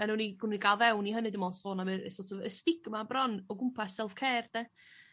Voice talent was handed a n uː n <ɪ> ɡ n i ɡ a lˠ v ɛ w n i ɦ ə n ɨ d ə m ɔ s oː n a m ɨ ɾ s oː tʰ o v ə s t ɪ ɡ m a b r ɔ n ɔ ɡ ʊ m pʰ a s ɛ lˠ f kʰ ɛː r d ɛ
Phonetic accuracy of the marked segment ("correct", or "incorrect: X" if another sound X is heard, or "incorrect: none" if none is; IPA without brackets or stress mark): incorrect: i